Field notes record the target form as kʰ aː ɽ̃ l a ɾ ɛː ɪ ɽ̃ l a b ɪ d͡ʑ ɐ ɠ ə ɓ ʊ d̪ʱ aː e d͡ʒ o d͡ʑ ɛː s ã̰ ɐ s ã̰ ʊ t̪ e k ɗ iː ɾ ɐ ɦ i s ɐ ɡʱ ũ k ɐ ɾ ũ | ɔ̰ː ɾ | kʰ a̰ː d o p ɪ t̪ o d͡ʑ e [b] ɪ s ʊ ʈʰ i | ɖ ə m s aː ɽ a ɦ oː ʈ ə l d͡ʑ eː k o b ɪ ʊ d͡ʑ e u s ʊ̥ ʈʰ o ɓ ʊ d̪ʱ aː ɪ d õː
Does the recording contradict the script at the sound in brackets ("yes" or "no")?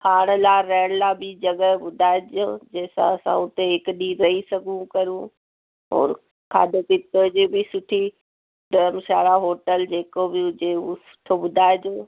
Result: no